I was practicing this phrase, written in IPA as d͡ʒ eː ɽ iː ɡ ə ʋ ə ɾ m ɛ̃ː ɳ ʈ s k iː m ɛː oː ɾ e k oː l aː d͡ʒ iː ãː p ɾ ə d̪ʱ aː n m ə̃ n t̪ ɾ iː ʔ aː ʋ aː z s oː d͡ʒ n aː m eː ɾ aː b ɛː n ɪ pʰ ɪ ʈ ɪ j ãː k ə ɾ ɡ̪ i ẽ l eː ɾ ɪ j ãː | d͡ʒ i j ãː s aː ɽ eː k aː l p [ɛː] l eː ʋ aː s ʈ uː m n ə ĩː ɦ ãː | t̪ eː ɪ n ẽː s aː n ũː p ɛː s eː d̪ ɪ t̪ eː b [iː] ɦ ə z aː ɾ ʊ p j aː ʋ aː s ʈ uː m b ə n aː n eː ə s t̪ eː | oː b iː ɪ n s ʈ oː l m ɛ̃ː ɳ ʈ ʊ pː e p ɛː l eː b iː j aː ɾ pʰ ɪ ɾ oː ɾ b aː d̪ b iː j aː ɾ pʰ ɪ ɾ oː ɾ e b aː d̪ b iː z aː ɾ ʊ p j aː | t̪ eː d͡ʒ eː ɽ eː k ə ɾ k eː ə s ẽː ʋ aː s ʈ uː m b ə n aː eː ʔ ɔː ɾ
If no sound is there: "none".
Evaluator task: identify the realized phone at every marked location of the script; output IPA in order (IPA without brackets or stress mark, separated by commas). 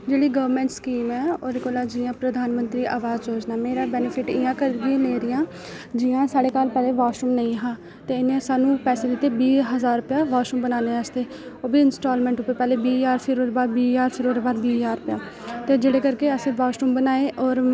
ɛː, iː